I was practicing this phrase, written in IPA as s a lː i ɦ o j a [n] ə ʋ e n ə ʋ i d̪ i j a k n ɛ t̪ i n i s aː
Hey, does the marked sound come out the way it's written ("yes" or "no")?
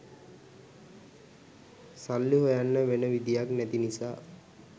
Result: no